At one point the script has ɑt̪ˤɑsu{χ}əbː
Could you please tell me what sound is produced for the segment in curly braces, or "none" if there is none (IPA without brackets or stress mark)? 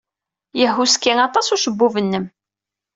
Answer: ʃ